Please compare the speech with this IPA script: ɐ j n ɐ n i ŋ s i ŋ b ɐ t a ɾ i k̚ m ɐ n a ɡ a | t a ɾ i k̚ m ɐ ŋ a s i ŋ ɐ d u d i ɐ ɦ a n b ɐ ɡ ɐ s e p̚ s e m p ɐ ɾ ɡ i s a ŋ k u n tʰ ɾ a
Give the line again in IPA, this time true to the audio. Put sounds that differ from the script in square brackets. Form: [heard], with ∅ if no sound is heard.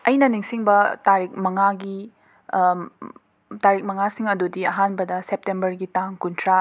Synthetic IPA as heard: ɐ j n ɐ n i ŋ s i ŋ b ɐ t a ɾ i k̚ m ɐ [ŋ] a ɡ [i] | t a ɾ i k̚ m ɐ ŋ a s i ŋ ɐ d u d i ɐ ɦ a n b ɐ [d] ɐ s e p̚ [t] e m [b] ɐ ɾ ɡ i [t] a ŋ k u n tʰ ɾ a